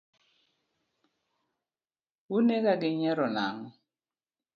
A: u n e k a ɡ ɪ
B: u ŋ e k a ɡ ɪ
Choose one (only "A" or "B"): A